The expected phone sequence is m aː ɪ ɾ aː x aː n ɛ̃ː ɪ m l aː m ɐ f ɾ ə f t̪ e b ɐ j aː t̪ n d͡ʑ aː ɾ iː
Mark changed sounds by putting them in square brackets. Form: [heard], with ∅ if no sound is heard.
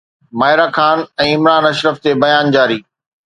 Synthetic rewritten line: m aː ɪ ɾ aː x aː n ɛ̃ː ɪ m [ɾ] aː [n] ɐ [ʃ] ɾ ə f t̪ e b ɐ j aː [∅] n d͡ʑ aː ɾ iː